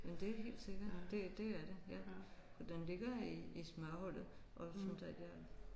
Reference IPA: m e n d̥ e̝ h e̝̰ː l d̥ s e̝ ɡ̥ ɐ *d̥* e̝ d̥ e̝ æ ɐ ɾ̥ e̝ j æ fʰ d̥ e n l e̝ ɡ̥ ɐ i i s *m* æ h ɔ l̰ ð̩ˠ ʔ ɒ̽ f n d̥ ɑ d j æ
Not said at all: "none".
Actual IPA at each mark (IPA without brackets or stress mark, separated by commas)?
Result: d̥, m